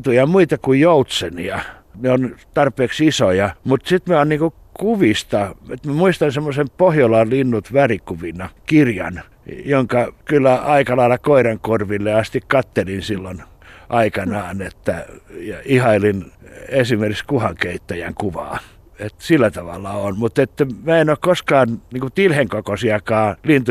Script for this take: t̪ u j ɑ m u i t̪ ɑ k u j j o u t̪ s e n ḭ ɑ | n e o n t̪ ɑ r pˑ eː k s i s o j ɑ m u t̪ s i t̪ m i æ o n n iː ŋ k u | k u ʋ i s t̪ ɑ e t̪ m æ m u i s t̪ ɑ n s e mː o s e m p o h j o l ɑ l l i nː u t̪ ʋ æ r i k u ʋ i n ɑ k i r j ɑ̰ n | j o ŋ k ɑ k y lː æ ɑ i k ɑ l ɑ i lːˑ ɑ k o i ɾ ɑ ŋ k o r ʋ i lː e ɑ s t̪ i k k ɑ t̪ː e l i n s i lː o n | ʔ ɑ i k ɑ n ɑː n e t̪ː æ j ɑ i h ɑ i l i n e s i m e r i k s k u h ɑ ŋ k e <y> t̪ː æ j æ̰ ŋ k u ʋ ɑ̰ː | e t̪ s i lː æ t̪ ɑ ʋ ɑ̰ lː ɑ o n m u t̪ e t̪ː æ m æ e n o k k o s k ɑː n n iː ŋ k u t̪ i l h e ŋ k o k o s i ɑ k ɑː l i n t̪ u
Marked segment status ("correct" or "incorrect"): incorrect